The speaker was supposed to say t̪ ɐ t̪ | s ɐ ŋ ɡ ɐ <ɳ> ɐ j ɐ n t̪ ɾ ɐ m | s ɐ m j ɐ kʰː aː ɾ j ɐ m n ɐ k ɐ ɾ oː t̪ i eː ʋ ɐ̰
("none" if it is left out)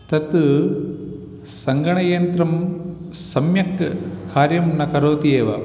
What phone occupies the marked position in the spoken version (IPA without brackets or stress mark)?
ɳ